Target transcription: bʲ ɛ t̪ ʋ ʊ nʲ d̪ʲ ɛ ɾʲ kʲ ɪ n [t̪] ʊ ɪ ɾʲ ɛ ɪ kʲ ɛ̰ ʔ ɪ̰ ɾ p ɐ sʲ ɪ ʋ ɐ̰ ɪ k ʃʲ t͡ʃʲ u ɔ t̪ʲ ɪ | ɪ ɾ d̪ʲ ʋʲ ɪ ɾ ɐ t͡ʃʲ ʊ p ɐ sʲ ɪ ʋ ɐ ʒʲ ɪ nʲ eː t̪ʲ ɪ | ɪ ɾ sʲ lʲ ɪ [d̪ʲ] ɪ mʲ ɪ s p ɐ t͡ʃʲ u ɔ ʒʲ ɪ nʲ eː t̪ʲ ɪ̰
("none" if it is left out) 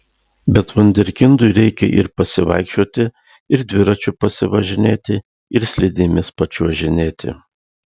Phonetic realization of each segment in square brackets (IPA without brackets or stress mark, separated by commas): d̪, d̪ʲ